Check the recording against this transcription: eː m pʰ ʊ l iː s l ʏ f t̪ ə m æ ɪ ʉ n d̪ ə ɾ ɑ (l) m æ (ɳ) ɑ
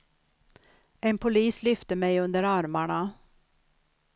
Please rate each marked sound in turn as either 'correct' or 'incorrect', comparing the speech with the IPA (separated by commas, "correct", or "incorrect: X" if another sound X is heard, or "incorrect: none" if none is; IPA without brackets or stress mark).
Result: incorrect: ɾ, correct